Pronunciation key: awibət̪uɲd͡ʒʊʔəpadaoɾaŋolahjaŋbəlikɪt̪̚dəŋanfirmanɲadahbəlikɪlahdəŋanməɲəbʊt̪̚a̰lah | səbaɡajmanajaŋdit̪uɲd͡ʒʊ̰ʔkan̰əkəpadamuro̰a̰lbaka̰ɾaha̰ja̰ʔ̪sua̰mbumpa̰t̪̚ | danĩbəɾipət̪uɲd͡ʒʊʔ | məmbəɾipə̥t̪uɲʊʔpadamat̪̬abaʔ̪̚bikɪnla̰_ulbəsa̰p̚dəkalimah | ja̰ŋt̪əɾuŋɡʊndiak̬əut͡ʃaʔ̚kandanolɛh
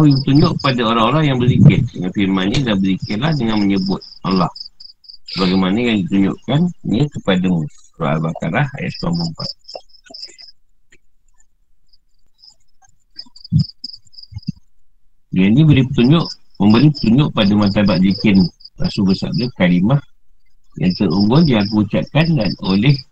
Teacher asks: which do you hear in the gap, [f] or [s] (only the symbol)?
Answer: s